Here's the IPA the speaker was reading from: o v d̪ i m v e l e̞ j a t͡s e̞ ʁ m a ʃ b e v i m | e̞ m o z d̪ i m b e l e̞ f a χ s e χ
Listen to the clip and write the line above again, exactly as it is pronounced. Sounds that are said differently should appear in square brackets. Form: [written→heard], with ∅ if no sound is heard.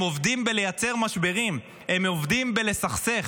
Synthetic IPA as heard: o v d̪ i m [v→b] e l e̞ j a t͡s e̞ ʁ m a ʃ b e [v→ʁ] i m | e̞ m o [z→v] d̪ i m b e l e̞ [f→s] a χ s e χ